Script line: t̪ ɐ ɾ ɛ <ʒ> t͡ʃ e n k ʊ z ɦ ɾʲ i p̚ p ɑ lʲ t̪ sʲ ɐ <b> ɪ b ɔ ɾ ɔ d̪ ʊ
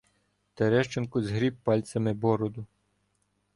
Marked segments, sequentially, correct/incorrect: incorrect: ʃ, incorrect: m

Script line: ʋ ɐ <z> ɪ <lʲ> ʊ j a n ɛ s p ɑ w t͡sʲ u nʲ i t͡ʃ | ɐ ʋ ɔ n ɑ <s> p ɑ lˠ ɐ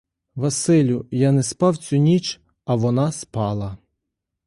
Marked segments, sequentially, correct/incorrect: incorrect: s, correct, correct

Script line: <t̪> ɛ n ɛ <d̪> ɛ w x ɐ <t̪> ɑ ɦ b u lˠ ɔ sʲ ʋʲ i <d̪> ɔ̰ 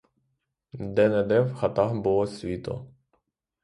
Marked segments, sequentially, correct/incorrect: incorrect: d̪, correct, correct, incorrect: t̪

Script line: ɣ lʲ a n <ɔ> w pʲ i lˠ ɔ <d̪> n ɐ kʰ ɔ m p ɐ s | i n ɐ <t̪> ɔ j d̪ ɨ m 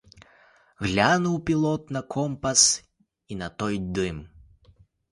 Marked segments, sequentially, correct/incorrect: incorrect: u, incorrect: t̪, correct

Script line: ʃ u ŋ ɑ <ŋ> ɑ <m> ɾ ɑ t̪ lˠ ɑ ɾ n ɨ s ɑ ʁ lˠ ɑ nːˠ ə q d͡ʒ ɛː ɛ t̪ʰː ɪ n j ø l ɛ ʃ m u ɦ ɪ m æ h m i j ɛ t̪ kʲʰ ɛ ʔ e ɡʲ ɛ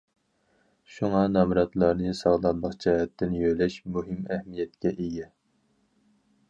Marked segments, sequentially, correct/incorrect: incorrect: n, correct

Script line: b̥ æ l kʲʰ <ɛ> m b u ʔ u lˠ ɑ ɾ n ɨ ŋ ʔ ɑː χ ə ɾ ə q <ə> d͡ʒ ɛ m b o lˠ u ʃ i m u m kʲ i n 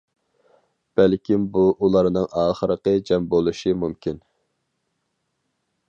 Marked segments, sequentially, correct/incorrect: incorrect: i, correct

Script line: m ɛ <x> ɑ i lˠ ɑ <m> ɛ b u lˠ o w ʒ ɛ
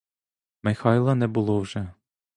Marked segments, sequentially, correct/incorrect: correct, incorrect: n

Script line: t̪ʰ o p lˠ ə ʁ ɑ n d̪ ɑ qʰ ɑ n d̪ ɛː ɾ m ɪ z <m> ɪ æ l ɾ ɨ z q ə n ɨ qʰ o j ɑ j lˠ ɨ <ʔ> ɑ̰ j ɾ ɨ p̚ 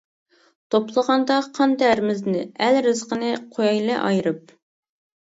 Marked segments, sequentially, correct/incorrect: incorrect: n, correct

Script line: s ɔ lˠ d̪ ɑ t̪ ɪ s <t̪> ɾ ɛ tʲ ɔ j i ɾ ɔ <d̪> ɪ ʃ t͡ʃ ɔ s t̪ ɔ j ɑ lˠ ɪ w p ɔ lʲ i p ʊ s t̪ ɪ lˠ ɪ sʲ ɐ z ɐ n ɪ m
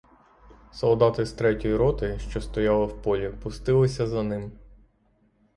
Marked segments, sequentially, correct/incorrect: correct, incorrect: t̪

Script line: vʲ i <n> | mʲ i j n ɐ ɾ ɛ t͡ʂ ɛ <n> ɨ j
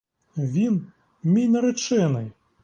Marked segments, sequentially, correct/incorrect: correct, correct

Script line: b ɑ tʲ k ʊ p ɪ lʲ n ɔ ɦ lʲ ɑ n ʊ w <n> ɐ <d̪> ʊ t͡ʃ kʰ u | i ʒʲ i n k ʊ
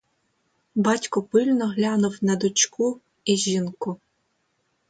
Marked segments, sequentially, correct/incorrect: correct, correct

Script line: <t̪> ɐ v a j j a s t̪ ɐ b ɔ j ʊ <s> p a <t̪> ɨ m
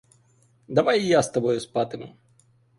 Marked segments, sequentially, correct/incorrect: incorrect: d̪, correct, correct

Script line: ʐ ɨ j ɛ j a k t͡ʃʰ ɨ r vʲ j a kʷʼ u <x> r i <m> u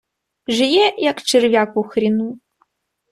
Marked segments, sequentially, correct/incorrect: correct, incorrect: n

